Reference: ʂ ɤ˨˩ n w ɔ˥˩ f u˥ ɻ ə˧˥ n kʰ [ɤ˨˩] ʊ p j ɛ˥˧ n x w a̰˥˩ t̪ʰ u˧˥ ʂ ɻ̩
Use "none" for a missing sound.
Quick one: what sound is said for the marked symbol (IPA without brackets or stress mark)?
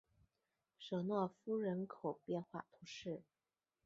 o˨˩